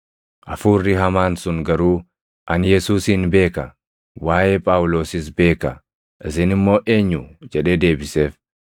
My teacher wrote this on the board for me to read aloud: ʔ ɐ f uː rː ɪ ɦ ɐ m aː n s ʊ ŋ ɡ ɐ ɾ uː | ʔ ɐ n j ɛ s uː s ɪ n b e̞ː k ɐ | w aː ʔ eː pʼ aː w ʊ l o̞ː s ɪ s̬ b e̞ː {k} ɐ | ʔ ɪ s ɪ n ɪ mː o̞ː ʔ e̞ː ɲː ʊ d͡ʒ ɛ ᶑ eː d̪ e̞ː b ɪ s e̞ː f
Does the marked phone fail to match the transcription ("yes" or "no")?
no